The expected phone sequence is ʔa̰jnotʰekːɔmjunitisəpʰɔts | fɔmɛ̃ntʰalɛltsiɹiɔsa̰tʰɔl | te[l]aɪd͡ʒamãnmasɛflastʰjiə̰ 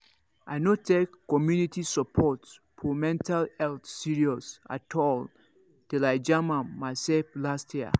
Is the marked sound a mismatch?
no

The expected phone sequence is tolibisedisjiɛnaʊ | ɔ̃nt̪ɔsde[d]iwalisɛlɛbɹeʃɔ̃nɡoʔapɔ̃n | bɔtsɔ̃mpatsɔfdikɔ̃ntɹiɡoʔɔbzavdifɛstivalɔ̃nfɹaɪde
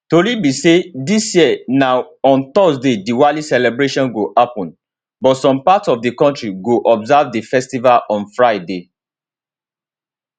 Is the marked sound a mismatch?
no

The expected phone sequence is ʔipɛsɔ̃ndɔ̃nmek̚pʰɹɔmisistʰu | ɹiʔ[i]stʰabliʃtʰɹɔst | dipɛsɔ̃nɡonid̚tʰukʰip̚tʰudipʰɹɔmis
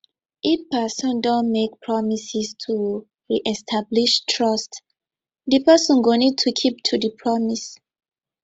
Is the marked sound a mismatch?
yes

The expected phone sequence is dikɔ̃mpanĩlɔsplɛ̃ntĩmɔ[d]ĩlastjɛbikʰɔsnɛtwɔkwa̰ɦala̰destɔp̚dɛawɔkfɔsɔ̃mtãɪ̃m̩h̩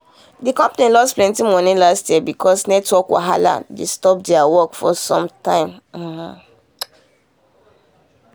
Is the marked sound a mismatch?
yes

